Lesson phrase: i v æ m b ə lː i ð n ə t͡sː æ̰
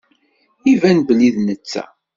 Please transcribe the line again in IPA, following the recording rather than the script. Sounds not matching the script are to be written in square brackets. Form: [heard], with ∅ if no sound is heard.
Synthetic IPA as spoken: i v æ [n] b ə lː i ð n ə t͡sː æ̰